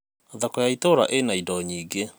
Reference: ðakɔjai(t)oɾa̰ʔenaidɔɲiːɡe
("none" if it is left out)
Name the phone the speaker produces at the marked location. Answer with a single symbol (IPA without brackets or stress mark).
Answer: t